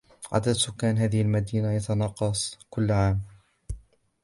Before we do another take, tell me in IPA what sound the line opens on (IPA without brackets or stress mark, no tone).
ʕ